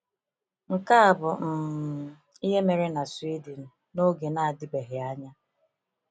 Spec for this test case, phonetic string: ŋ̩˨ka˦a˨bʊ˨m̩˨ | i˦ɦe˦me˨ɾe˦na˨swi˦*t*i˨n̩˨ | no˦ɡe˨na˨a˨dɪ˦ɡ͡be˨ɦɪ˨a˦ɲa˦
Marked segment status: incorrect: d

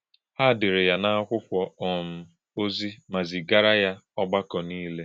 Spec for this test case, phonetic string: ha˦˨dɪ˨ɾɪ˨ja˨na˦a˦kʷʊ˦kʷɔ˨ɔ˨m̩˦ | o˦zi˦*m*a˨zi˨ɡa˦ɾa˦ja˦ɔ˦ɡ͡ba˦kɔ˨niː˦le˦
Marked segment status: correct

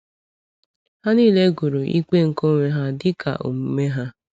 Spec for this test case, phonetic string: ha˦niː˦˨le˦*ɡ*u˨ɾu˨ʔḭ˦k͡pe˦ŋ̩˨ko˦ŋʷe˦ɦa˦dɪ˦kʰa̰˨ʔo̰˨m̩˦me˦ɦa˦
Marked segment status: correct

